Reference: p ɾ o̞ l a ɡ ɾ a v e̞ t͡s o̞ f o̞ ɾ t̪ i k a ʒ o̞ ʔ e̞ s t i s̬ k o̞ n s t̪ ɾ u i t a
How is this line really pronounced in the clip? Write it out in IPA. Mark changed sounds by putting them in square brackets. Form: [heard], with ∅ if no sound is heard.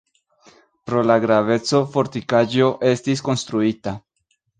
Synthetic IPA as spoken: p ɾ o̞ l a ɡ ɾ a v e̞ t͡s o̞ f o̞ ɾ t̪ i k a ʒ o̞ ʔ e̞ s t i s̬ k o̞ n s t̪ ɾ u i t a